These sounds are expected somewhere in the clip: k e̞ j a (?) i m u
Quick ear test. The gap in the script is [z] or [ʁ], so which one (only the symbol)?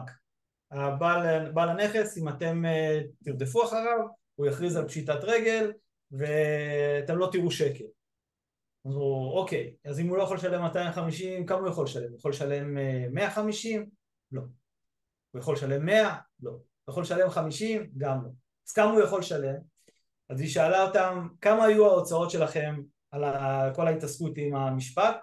z